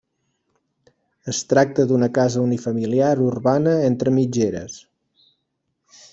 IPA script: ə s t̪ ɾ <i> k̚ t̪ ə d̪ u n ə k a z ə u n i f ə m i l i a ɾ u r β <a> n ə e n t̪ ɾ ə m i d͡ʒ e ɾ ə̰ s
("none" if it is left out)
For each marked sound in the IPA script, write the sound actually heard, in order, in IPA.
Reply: a, a

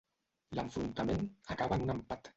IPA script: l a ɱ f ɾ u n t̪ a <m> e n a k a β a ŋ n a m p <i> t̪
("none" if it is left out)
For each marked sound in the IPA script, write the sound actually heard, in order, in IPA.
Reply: m, a

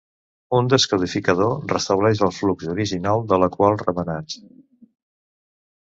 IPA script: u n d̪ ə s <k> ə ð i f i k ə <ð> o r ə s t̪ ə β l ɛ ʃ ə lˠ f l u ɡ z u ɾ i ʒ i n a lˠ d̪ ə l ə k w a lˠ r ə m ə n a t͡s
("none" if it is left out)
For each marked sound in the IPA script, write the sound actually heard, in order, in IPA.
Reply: k, ð

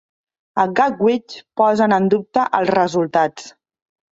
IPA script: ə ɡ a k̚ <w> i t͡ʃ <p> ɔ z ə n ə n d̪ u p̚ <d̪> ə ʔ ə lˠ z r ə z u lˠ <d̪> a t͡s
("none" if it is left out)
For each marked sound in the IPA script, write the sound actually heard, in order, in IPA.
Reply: w, p, t̪, t̪

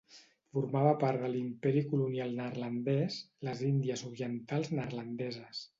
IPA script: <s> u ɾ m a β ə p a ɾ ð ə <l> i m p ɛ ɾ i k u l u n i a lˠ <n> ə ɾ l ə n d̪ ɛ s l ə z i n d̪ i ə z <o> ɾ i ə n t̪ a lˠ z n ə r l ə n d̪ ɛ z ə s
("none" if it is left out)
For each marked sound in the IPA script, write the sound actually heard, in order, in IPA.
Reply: f, l, n, u

